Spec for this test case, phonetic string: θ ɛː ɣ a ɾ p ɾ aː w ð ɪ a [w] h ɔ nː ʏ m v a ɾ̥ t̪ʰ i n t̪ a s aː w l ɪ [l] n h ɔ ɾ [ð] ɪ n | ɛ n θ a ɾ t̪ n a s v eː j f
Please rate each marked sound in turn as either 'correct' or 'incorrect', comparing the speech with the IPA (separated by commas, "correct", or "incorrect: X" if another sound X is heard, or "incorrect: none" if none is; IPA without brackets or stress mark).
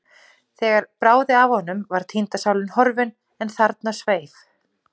incorrect: v, incorrect: none, incorrect: v